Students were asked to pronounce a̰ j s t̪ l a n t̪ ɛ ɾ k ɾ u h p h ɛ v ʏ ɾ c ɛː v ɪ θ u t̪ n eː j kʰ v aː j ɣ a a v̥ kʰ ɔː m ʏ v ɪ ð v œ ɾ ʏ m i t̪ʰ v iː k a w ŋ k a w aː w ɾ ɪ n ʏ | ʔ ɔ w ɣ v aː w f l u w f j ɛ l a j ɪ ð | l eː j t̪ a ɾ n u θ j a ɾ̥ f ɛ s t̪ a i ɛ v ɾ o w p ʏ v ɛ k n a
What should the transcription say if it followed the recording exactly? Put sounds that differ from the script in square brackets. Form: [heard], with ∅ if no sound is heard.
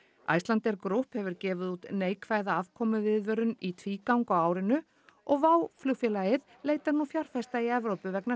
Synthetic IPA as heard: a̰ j s t̪ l a n t̪ ɛ ɾ k ɾ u h p h ɛ v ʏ ɾ c ɛː v ɪ [ð] u t̪ n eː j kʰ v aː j [ð] a a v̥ kʰ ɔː m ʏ v ɪ ð v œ ɾ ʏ [n] i t̪ʰ v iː k a w ŋ k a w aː w ɾ ɪ n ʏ | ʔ ɔ [∅] ɣ v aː w f l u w f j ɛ l a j ɪ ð | l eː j t̪ a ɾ n u [f] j a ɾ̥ f ɛ s t̪ a i ɛ v ɾ o w p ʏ v ɛ k n a

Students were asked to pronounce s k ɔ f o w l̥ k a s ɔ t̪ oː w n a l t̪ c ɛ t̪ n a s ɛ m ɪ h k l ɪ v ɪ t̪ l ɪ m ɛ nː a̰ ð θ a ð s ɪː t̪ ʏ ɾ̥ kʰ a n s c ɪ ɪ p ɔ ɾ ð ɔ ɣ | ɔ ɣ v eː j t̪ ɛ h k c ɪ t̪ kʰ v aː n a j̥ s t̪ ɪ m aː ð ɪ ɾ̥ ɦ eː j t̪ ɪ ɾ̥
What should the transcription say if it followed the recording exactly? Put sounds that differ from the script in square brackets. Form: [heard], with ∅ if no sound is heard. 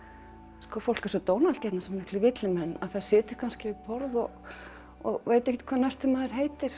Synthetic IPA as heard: s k ɔ f o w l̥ k a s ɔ t̪ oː w n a l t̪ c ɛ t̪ n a s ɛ m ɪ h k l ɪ v ɪ t̪ l ɪ m ɛ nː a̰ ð θ a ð s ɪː t̪ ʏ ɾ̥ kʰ a n s c ɪ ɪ p ɔ ɾ ð ɔ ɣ | ɔ ɣ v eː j t̪ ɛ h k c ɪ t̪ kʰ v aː n a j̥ s t̪ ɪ m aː ð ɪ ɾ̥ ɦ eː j t̪ ɪ ɾ̥

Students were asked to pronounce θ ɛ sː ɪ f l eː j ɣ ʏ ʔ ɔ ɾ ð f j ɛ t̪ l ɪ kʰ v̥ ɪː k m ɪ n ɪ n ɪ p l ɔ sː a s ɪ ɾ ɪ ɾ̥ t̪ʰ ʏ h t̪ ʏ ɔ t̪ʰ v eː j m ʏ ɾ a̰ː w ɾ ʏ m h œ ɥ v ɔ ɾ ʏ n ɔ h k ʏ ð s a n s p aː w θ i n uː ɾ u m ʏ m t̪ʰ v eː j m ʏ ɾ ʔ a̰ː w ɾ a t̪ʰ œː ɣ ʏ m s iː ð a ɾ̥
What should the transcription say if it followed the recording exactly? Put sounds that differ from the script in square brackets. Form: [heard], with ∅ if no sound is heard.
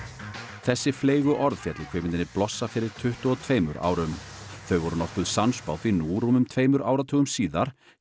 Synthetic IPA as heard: θ ɛ sː ɪ f l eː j ɣ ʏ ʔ ɔ ɾ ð f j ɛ t̪ l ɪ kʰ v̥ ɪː [∅] m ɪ n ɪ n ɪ p l ɔ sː a [f] ɪ ɾ ɪ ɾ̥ t̪ʰ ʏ h t̪ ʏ ɔ t̪ʰ v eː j m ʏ ɾ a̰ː w ɾ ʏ m [θ] œ ɥ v ɔ ɾ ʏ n ɔ h k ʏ ð s a n s p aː w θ i n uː ɾ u m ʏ m t̪ʰ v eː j m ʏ ɾ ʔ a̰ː w ɾ a t̪ʰ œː ɣ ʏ m s iː ð a ɾ̥

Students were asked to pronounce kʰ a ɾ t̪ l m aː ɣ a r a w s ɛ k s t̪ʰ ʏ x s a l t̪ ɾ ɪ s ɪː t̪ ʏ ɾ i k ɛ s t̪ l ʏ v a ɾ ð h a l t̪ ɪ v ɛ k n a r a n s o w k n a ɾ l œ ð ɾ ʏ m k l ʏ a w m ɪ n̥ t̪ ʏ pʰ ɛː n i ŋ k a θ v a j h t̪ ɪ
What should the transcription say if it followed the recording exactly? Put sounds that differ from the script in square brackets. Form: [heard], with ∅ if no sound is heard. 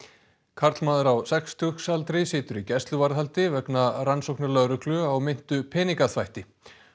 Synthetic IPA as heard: kʰ a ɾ t̪ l m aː [ð] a [ɾ] a w s ɛ k s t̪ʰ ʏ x s a l t̪ ɾ ɪ s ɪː t̪ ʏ ɾ i [c] ɛ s t̪ l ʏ v a ɾ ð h a l t̪ ɪ v ɛ k n a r a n s o w k n a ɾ l œ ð ɾ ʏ [∅] k l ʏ a w m ɪ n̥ t̪ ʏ pʰ ɛː n i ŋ k a θ v a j h t̪ ɪ

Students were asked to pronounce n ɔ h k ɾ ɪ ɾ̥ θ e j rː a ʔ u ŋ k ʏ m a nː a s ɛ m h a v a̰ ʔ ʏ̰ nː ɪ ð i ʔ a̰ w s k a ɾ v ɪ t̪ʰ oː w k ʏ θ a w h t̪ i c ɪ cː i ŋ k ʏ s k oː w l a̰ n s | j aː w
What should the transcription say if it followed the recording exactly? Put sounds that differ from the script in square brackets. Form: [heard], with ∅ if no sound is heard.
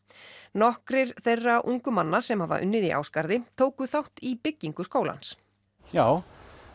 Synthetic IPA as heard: n ɔ h k ɾ ɪ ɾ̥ θ e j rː a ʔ u ŋ k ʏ m a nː a s ɛ m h a v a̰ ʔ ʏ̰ nː ɪ ð i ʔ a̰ w s k a ɾ [ð] ɪ t̪ʰ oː w k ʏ θ a w h t̪ i [p] ɪ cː i ŋ k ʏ s k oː w l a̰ n s | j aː w

